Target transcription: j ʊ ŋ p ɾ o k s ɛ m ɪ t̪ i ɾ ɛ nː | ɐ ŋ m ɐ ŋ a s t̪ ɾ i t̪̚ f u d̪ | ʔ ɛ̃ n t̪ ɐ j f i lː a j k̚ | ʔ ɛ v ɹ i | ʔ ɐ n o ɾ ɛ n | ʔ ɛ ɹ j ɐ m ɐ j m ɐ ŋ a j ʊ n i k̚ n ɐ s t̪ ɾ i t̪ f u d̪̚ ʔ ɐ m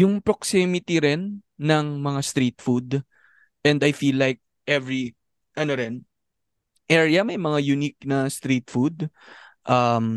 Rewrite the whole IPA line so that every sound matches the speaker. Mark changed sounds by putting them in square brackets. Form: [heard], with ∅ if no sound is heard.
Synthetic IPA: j ʊ ŋ p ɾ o k s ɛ m ɪ t̪ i ɾ ɛ nː | ɐ ŋ m ɐ ŋ a s t̪ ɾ i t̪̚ f u d̪ | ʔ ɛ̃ n [d̪] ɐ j f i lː a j k̚ | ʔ ɛ v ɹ i | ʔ ɐ n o ɾ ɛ n | ʔ ɛ ɹ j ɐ m ɐ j m ɐ ŋ a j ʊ n i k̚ n ɐ s t̪ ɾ i t̪ f u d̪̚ ʔ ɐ m